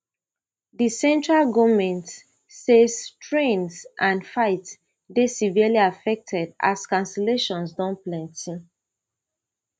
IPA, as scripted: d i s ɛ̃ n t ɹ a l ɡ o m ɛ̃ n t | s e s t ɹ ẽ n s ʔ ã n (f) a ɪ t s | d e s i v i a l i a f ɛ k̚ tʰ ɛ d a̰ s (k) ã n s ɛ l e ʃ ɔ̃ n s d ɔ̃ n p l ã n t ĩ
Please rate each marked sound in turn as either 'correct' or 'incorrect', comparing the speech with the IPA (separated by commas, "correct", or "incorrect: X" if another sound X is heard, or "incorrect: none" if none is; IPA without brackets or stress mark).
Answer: correct, correct